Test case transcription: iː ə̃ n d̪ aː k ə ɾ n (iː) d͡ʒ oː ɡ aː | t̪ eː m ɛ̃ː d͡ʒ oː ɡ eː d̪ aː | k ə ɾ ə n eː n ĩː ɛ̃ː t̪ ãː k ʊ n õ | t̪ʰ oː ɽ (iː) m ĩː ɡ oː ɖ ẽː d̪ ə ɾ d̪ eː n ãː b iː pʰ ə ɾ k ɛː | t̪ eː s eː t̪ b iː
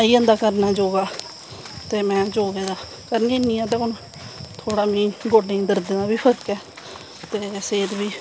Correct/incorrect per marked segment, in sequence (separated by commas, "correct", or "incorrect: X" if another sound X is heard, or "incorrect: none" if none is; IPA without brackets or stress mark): incorrect: aː, incorrect: aː